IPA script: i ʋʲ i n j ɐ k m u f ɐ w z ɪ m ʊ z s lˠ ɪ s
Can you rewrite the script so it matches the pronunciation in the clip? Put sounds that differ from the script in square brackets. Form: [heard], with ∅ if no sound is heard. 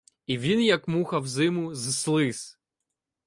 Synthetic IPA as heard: i ʋʲ i n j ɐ k m u [x] ɐ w z ɪ m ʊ z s lˠ ɪ s